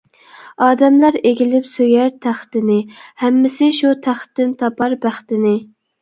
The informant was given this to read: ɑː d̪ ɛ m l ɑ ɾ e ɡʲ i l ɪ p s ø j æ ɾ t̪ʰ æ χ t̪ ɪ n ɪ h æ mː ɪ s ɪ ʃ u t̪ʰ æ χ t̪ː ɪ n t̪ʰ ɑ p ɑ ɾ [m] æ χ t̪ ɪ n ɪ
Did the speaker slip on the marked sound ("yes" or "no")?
yes